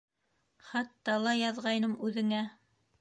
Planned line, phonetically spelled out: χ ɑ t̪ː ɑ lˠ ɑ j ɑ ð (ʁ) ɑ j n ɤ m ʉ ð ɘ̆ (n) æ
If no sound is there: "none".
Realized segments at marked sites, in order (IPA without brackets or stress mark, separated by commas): ʁ, ŋ